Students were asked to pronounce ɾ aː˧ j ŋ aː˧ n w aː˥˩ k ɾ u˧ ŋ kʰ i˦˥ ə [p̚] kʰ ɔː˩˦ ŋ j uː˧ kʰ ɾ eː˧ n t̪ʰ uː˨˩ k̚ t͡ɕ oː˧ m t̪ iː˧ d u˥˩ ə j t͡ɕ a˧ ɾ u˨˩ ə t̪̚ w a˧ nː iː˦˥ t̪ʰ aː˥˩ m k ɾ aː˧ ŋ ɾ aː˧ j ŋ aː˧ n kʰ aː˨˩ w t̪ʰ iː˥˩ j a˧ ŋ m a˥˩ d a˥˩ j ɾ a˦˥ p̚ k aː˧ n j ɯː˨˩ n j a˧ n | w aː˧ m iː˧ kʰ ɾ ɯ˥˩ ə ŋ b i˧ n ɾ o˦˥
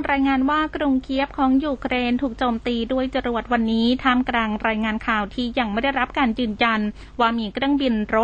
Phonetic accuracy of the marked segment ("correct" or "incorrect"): correct